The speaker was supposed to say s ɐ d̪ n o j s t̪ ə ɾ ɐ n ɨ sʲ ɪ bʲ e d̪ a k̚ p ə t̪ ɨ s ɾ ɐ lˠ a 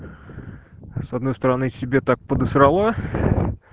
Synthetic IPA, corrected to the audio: s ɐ d̪ n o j s t̪ ə ɾ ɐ n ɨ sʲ ɪ bʲ e t̪ a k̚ p ə d̪ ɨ s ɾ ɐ lˠ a